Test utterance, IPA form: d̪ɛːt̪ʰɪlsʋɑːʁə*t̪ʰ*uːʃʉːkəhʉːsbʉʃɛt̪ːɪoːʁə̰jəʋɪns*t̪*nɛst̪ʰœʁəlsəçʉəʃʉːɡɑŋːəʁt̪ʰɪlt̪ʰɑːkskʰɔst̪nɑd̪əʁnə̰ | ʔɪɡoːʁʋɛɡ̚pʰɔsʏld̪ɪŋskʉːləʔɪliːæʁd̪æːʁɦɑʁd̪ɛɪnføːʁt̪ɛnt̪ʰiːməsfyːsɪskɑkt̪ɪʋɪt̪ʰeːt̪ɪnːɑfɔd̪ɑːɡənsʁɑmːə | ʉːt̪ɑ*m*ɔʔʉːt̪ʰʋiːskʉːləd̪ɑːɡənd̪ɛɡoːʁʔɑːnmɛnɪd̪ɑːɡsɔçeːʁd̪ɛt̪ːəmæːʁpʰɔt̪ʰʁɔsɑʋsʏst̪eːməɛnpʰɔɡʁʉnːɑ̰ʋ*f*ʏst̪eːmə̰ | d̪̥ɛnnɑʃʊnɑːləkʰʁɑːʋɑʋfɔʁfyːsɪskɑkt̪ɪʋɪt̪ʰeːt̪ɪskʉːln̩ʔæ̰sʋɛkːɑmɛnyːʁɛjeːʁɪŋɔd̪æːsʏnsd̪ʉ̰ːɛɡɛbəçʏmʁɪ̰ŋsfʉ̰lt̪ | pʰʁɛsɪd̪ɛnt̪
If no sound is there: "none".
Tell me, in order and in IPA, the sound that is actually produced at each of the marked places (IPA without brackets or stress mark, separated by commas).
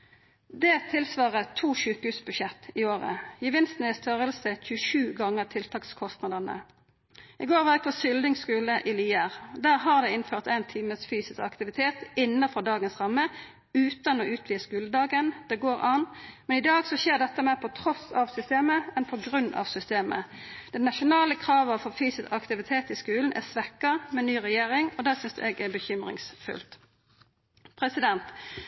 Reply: t̪ʰ, t̪, n, s